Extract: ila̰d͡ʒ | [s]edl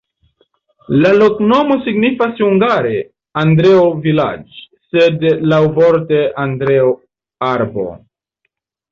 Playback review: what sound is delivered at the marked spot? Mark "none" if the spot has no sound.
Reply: s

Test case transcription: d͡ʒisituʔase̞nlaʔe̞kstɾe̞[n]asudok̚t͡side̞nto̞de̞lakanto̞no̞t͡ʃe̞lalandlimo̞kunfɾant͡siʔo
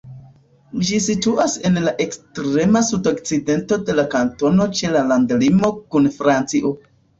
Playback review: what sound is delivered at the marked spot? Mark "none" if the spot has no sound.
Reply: m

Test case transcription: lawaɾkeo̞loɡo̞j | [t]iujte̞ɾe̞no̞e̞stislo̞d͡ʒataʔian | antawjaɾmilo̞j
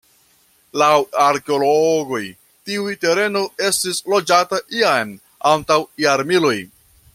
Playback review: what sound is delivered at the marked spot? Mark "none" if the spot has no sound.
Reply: t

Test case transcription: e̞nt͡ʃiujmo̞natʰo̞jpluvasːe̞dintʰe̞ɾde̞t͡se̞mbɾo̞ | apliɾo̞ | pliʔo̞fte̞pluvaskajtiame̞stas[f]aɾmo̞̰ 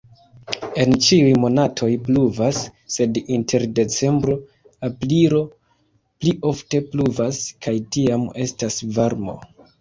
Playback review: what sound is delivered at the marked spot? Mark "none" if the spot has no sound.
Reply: v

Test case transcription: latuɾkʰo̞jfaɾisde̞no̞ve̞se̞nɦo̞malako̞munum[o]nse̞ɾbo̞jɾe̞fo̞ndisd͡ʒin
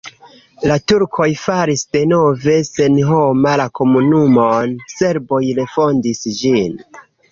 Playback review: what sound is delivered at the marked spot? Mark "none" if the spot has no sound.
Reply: o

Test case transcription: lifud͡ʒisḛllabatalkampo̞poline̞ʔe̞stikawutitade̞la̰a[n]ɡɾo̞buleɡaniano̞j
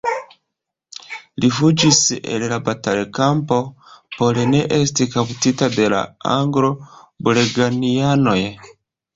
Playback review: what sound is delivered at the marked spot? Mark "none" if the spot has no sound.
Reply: ŋ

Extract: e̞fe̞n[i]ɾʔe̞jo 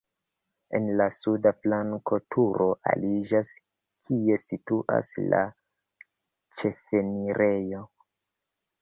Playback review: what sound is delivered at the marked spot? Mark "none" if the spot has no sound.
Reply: i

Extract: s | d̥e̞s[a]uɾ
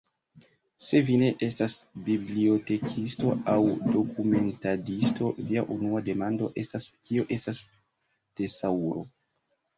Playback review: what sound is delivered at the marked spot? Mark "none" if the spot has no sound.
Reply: a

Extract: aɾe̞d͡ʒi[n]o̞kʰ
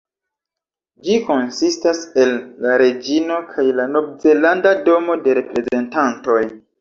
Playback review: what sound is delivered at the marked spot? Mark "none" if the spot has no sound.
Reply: n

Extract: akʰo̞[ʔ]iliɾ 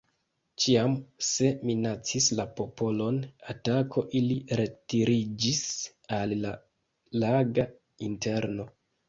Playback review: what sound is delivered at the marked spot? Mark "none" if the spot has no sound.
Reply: ʔ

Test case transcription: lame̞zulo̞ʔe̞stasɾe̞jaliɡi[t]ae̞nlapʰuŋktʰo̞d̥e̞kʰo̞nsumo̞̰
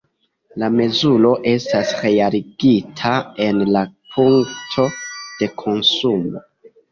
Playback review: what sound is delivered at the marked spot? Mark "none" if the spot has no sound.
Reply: tʰ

